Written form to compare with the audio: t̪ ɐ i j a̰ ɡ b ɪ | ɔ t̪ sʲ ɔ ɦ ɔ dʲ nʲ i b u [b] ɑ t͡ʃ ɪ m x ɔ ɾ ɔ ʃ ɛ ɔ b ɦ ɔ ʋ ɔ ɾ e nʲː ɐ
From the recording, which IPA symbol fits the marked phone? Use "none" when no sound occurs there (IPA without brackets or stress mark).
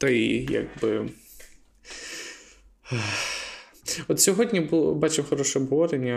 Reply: b